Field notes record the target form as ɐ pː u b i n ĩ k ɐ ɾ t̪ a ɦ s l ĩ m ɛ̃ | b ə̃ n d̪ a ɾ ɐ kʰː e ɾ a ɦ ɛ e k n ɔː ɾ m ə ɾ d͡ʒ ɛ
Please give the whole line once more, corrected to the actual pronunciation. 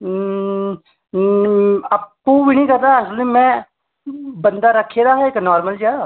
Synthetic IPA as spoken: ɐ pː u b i n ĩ k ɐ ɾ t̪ a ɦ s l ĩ m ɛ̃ | b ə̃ n d̪ a ɾ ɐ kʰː e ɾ a ɦ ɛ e k n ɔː ɾ m ə l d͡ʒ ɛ